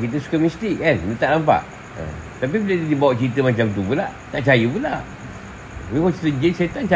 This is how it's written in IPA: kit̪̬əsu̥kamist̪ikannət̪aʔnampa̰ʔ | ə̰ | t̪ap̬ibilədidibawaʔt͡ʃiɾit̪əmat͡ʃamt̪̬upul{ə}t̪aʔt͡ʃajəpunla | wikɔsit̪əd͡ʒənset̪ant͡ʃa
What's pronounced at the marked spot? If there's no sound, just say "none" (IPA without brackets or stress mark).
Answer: a